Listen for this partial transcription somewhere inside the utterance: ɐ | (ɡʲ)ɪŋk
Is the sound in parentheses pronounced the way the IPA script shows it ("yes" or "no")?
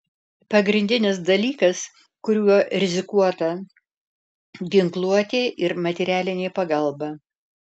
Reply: yes